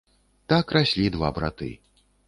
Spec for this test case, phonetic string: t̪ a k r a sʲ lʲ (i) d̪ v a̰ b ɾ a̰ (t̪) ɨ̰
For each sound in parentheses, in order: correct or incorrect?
correct, correct

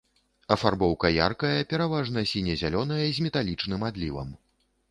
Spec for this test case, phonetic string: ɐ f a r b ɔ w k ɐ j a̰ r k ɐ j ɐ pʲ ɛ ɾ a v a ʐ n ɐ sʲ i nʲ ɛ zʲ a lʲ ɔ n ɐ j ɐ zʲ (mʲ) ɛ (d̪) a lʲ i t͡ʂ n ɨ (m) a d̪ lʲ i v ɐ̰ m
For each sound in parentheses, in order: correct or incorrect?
correct, incorrect, correct

